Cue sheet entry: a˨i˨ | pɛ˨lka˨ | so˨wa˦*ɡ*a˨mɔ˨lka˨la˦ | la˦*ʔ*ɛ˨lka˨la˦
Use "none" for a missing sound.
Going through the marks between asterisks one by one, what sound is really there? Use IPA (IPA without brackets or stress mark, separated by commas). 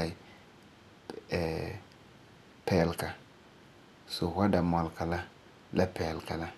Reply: d, p